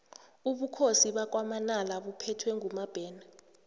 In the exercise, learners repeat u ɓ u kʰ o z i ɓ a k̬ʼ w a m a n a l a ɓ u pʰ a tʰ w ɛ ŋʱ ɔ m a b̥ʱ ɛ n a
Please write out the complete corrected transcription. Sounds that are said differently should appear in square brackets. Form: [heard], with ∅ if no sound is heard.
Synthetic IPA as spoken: u ɓ u kʰ o [s] i ɓ a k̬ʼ w a m a n a l a ɓ u pʰ [ɛ] tʰ w ɛ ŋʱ [u] m a b̥ʱ [ɛː] n a

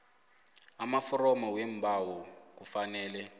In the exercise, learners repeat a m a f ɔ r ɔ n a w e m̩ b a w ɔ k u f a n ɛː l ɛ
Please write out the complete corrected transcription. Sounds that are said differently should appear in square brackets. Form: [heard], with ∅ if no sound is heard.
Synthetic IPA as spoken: a m a f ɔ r ɔ [m] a w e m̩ b a w ɔ k u f a n ɛː l ɛ

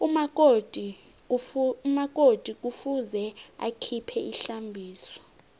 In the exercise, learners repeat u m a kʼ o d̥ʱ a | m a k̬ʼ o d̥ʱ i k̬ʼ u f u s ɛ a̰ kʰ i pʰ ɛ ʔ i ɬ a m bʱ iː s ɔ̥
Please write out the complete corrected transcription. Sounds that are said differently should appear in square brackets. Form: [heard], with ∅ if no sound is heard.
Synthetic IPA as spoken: u m a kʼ o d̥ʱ [i] | m a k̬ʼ o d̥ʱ i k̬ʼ u f u [z] ɛ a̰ kʰ i pʰ ɛ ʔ i ɬ a m bʱ iː s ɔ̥

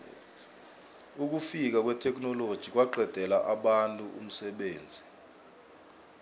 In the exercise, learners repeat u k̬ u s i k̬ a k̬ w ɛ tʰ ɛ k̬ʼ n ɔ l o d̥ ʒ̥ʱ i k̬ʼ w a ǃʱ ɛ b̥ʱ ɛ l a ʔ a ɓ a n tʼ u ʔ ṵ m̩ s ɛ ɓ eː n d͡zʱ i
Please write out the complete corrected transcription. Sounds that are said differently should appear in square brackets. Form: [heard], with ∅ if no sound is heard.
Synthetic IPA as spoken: u k̬ u [f] i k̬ a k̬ w ɛ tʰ ɛ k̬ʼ n ɔ l o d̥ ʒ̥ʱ i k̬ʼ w a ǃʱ ɛ [d̥ʱ] ɛ l a ʔ a ɓ a n tʼ u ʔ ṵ m̩ s ɛ ɓ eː n d͡zʱ i

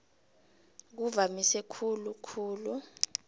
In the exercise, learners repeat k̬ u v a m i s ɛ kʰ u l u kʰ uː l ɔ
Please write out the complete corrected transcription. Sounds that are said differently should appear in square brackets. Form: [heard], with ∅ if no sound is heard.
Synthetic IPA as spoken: k̬ u v a m i s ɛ kʰ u l u kʰ uː l [u]

